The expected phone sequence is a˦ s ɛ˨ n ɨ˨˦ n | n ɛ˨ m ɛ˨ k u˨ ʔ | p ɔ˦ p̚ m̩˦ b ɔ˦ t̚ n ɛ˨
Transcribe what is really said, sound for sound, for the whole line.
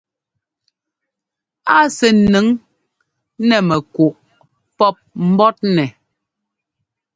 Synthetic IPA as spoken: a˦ s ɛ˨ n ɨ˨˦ ŋ | n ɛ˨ m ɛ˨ k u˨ ʔ | p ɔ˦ p̚ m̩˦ b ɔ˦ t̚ n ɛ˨